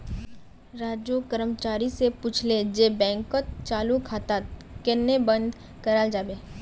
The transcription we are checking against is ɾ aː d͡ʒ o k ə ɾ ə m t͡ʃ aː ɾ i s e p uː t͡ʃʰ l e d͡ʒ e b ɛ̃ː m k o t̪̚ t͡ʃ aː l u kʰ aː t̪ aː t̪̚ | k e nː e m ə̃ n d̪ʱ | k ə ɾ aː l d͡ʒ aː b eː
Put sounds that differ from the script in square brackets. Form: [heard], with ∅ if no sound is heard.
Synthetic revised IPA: ɾ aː d͡ʒ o k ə ɾ ə m t͡ʃ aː ɾ i s e p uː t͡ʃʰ l e d͡ʒ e b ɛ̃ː [ŋ] k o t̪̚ t͡ʃ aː l u kʰ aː t̪ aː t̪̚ | k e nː e [b] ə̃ n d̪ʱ | k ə ɾ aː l d͡ʒ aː b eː